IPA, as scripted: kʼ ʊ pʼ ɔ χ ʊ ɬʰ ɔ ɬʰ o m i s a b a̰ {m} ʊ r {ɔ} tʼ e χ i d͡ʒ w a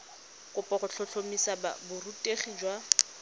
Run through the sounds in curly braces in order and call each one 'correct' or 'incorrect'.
incorrect: b, incorrect: u

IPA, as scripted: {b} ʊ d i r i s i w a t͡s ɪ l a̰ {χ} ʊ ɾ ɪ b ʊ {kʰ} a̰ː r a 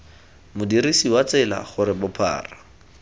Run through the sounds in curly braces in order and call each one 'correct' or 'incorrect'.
incorrect: m, correct, incorrect: pʰ

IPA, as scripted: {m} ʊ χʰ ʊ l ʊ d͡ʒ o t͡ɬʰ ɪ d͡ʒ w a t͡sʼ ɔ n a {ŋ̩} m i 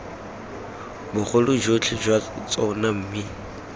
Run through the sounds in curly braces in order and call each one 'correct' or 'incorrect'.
incorrect: b, incorrect: m̩

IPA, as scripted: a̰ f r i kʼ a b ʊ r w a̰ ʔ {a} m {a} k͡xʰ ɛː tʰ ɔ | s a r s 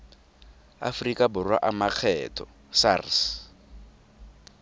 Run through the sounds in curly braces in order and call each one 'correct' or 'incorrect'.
correct, correct

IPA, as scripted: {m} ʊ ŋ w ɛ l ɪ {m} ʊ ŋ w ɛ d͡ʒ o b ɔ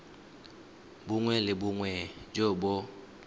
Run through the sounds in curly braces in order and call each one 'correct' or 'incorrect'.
incorrect: b, incorrect: b

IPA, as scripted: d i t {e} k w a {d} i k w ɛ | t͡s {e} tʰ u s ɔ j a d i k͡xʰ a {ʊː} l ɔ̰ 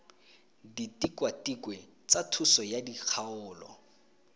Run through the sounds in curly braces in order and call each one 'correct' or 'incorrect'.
incorrect: i, incorrect: t, incorrect: a, correct

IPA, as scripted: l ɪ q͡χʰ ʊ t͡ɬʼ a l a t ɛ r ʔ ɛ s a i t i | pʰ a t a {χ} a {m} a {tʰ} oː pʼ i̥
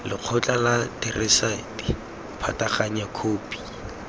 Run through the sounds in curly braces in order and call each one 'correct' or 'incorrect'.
correct, incorrect: ɲ, incorrect: kʰ

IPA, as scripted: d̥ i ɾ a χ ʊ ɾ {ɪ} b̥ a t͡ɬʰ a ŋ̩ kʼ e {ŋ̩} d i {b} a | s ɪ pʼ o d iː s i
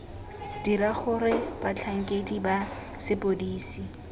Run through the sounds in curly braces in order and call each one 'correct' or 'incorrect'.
correct, incorrect: none, correct

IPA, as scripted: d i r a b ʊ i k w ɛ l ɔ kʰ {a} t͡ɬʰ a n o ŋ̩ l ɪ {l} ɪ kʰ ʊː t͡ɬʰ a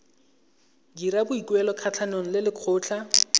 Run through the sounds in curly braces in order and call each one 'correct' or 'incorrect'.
correct, correct

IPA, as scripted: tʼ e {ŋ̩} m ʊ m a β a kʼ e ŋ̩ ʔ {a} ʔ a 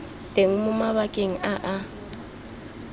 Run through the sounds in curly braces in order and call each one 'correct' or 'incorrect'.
correct, correct

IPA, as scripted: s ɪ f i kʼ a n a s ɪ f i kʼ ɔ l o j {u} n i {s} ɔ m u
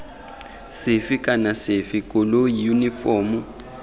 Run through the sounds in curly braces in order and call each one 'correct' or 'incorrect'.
correct, incorrect: f

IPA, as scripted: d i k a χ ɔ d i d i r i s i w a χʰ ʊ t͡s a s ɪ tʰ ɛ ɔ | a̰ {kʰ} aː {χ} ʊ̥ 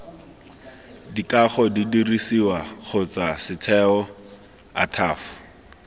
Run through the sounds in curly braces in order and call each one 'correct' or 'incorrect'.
incorrect: tʰ, incorrect: f

